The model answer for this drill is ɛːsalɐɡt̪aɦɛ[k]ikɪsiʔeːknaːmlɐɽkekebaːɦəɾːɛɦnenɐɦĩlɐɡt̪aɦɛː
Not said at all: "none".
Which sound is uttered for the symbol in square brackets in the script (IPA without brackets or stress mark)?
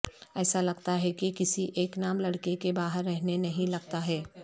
k